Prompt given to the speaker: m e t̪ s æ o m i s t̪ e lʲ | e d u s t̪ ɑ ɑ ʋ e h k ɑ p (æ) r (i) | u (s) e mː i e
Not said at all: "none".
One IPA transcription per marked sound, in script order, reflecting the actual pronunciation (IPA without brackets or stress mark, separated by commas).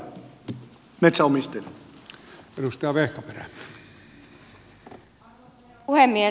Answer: e, æ, h